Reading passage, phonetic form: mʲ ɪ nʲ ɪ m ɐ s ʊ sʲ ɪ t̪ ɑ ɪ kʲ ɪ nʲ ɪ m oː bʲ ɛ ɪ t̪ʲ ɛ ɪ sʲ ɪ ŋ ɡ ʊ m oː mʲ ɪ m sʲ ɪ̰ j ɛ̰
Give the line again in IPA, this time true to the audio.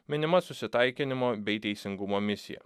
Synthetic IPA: mʲ ɪ nʲ ɪ m ɐ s ʊ sʲ ɪ t̪ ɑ ɪ kʲ ɪ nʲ ɪ m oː bʲ ɛ ɪ t̪ʲ ɛ ɪ sʲ ɪ ŋ ɡ ʊ m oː mʲ ɪ sʲ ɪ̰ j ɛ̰